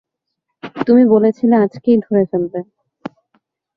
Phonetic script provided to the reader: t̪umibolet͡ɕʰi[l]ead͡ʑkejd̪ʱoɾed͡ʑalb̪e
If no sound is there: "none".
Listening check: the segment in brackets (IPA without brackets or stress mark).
l